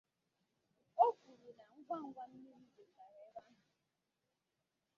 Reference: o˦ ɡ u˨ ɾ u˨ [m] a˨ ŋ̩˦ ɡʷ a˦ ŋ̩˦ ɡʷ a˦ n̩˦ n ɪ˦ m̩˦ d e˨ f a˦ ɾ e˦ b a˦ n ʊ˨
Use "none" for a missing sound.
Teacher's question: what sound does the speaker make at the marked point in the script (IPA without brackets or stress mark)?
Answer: n